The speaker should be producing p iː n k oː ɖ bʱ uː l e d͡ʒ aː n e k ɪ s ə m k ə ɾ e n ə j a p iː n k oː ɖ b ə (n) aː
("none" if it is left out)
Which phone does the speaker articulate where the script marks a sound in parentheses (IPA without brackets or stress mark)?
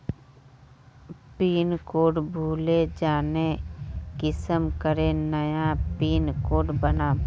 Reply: n